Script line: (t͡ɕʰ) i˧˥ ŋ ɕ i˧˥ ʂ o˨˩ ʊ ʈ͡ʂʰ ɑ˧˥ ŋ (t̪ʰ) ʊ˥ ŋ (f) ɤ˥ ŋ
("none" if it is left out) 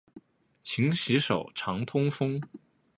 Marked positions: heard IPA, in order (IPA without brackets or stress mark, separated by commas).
t͡ɕʰ, t̪ʰ, f